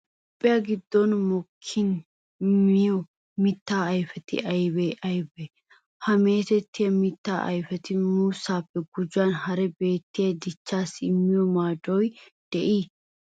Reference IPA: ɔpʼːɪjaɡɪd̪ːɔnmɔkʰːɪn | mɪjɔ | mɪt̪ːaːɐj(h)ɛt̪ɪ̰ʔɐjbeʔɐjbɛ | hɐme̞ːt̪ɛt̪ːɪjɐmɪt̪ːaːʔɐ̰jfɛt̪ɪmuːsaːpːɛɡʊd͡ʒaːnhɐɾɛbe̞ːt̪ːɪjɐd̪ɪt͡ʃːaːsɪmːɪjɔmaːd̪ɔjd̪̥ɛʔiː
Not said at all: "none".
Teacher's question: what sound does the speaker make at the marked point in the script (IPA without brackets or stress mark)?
f